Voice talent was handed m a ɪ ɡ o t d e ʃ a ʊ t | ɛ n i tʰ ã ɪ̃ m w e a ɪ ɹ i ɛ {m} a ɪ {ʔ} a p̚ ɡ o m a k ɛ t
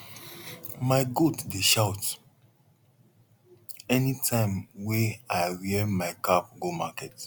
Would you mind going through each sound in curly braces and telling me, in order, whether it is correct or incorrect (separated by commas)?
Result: correct, incorrect